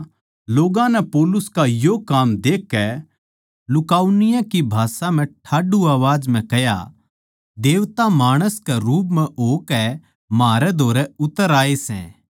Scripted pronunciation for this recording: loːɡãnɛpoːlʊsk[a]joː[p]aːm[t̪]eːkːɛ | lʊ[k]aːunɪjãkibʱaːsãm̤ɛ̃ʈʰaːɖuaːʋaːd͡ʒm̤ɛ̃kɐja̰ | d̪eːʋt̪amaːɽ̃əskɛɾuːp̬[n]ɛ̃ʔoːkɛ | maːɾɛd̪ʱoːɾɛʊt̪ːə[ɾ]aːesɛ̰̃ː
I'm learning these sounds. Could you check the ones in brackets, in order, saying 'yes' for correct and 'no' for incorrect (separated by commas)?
yes, no, no, yes, no, yes